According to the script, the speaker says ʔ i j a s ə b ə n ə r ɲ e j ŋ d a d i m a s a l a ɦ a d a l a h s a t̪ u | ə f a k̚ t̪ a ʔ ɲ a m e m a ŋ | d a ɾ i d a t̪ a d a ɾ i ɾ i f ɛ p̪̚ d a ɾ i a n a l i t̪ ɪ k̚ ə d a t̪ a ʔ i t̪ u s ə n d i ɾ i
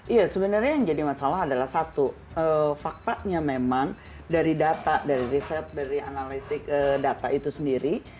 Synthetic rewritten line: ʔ i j a s ə b ə n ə r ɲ a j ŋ d͡ʒ a d i m a s a l a ɦ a d a l a h s a t̪ u | ə f a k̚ t̪ a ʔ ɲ a m e m a ŋ | d a ɾ i d a t̪ a d a ɾ i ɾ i s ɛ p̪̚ d a ɾ i a n a l i t̪ ɪ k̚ ə d a t̪ a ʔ i t̪ u s ə n d i ɾ i